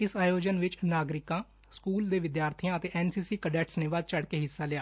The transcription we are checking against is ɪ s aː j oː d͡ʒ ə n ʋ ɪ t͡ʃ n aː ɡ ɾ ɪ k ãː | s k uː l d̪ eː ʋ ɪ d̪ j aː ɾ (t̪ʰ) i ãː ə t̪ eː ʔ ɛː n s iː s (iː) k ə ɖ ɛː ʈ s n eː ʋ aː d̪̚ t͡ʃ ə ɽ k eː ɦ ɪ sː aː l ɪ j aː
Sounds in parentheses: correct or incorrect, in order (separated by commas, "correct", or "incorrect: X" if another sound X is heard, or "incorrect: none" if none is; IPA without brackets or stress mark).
correct, correct